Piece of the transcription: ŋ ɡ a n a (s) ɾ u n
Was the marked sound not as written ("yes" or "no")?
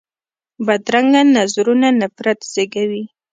yes